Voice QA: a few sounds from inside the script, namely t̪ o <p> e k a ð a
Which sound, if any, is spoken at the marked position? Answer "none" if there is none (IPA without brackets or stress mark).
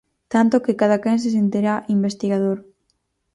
k